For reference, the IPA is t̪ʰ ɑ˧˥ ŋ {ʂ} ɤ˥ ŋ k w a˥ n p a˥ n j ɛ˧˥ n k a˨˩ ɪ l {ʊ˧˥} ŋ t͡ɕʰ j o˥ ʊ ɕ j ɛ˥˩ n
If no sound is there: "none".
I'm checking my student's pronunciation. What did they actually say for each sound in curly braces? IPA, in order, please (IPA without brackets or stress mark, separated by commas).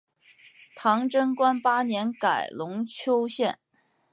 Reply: ʈ͡ʂ, ʊ˧˥